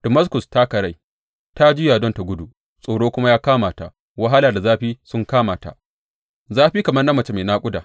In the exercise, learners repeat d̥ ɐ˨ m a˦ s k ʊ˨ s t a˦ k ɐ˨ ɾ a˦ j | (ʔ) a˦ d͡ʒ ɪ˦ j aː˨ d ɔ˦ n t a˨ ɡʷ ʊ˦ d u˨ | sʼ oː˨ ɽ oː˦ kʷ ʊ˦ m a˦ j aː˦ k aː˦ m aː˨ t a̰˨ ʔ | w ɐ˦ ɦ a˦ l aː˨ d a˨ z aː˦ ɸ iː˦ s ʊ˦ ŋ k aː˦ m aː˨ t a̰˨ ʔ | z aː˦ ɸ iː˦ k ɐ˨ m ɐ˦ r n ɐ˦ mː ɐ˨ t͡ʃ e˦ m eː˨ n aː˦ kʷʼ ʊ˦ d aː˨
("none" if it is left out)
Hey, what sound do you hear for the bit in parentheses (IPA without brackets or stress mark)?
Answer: t